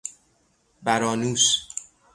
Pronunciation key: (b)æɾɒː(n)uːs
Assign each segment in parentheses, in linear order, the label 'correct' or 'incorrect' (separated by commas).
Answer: correct, correct